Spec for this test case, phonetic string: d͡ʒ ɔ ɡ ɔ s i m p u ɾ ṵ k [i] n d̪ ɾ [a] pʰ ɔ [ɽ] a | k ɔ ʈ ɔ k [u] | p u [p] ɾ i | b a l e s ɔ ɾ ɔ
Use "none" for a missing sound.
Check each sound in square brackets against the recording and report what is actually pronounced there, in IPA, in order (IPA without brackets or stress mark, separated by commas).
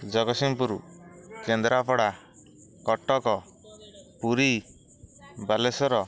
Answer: e, a, ɽ, ɔ, none